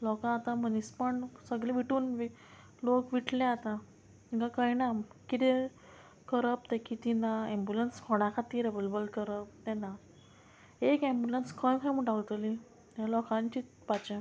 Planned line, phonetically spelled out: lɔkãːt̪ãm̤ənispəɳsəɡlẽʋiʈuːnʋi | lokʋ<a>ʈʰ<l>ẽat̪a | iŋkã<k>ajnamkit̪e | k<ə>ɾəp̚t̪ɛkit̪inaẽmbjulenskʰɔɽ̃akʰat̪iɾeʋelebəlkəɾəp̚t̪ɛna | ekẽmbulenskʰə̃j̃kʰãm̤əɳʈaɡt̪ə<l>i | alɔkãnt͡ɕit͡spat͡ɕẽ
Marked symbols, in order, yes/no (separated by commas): no, yes, yes, yes, yes